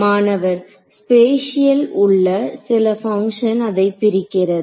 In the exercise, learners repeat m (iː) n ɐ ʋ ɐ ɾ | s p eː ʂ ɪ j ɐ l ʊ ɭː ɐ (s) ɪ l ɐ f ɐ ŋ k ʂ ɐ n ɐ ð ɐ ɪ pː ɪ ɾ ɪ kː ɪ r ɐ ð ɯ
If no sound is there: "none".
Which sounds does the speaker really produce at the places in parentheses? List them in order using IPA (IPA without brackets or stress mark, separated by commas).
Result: aː, s